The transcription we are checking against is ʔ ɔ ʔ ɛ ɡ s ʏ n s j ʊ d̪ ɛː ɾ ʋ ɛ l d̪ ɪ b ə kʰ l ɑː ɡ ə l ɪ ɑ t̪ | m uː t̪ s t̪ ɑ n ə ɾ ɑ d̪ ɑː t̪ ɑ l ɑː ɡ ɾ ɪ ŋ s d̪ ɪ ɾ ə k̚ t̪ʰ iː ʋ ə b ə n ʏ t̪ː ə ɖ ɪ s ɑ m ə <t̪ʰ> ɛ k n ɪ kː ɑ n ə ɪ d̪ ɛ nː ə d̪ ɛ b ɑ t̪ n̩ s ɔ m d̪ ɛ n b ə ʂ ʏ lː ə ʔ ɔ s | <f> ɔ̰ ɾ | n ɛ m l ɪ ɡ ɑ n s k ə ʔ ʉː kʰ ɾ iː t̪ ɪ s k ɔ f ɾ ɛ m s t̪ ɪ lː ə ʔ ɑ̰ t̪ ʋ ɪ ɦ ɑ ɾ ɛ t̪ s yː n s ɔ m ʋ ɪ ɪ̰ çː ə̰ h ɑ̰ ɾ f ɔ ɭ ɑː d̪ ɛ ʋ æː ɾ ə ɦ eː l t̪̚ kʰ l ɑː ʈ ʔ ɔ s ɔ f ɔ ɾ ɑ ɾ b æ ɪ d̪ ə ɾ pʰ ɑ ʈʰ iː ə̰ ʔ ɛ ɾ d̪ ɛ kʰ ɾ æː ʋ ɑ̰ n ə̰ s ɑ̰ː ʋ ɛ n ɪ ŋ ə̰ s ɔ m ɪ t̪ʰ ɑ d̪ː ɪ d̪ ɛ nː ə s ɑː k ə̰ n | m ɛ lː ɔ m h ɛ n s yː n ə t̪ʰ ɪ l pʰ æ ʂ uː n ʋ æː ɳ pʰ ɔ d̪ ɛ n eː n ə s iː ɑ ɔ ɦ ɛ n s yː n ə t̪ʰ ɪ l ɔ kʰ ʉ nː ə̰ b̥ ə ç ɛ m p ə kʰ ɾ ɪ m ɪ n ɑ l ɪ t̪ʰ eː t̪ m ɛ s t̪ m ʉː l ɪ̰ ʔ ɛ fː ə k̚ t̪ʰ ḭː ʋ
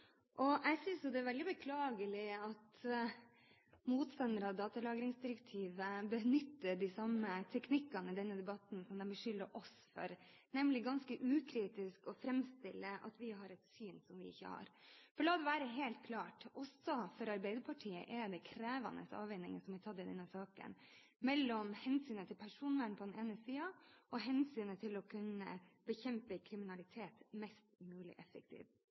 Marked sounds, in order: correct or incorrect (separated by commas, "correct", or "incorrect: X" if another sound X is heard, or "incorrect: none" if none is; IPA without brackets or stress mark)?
correct, correct